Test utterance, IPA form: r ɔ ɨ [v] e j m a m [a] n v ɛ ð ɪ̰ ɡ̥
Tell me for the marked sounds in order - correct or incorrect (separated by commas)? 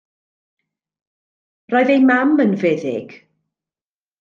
incorrect, incorrect